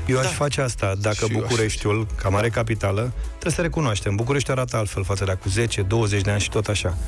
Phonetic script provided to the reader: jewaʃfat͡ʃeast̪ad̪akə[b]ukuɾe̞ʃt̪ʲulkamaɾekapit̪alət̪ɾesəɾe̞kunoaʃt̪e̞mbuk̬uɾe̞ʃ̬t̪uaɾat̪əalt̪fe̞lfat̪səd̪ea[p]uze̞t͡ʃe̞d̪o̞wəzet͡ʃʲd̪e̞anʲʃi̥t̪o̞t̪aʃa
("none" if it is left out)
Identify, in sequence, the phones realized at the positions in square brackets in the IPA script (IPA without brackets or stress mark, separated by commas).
b, k